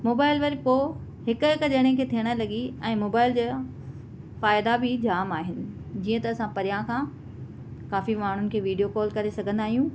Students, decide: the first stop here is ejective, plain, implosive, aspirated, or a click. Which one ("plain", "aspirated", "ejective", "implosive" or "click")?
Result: plain